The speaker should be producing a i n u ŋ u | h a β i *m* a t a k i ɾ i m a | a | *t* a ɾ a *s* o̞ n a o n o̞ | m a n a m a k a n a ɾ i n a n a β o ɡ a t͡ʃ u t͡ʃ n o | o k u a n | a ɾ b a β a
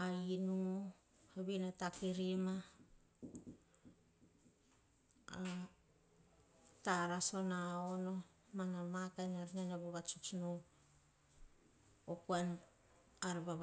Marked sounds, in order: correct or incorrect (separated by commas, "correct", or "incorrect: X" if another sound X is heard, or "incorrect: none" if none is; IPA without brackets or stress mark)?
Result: incorrect: n, correct, correct